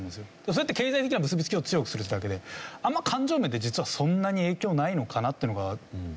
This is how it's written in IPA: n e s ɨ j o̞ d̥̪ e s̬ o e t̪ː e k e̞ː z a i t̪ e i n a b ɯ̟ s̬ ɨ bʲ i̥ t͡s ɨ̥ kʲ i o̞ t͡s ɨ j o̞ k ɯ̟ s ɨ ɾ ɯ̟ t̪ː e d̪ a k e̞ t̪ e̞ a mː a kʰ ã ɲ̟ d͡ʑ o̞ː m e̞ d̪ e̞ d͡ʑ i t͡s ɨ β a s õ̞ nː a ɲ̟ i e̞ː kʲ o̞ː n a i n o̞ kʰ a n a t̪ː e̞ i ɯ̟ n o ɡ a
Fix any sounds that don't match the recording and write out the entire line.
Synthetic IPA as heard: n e s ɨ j o̞ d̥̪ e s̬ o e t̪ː e k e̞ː z a i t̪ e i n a b ɯ̟ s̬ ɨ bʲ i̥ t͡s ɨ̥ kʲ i o̞ t͡s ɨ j o̞ k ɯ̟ s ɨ ɾ ɯ̟ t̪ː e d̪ a k e̞ d̪ e̞ a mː a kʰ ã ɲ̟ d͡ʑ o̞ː m e̞ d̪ e̞ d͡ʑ i t͡s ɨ β a s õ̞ nː a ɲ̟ i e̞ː kʲ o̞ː n a i n o̞ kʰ a n a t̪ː e̞ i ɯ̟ n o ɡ a